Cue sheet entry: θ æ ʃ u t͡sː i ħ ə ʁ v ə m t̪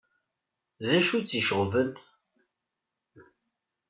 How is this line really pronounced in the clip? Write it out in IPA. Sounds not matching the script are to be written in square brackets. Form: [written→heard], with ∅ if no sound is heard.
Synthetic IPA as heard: [θ→ð] æ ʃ u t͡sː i [ħ→ʃ] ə ʁ v ə [m→n] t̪